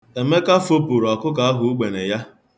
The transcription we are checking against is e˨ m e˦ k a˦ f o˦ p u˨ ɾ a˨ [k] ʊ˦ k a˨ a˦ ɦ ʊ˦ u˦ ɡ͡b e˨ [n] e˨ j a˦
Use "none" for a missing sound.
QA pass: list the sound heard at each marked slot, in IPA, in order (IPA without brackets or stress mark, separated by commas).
k, n